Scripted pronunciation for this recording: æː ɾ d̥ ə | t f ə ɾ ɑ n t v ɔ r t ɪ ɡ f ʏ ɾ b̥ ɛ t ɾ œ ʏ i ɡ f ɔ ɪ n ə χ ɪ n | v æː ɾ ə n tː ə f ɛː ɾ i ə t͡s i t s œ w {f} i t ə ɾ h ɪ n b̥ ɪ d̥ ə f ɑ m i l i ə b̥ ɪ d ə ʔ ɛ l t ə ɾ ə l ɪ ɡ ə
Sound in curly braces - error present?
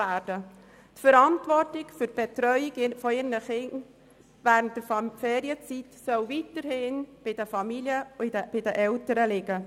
yes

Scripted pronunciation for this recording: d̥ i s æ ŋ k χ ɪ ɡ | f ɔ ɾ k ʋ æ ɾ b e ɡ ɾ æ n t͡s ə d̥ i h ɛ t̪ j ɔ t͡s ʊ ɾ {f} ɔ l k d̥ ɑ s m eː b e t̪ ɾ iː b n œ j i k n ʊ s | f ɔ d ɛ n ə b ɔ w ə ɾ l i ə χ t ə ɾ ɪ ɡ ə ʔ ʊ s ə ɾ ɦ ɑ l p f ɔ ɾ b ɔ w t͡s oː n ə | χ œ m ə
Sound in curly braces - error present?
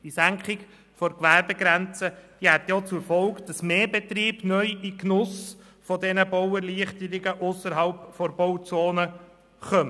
no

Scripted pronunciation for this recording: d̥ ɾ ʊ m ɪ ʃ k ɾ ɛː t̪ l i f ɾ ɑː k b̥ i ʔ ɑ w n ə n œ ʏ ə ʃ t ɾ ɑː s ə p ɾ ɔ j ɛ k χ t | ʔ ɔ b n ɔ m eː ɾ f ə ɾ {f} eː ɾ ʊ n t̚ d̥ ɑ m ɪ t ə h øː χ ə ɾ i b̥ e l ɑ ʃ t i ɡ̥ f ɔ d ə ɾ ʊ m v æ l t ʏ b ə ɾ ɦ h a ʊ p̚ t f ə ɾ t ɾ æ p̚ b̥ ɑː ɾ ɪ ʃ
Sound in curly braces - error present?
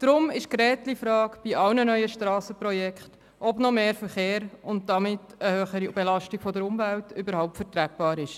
yes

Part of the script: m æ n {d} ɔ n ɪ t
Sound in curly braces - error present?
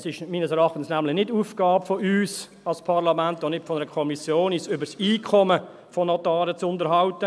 yes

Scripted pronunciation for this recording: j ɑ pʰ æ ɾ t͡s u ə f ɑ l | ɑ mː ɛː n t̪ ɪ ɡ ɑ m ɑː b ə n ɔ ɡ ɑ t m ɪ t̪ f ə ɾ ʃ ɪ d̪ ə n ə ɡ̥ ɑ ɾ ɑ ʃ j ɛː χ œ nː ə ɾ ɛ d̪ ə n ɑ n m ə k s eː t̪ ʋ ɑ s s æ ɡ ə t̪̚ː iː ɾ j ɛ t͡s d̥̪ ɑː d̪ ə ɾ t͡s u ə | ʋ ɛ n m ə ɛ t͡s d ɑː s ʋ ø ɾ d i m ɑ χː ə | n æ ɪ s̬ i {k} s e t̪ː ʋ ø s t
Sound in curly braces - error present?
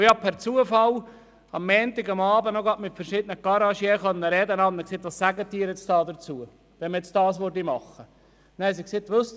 no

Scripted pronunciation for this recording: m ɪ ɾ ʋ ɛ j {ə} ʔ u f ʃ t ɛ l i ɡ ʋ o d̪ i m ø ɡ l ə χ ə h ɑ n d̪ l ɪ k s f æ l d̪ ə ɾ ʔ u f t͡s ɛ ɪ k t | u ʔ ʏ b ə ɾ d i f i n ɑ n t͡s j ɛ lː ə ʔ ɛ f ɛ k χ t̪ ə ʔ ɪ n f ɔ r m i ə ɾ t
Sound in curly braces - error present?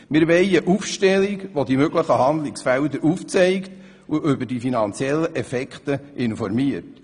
no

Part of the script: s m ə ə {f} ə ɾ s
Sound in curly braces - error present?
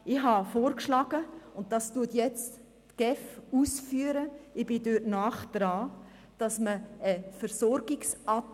no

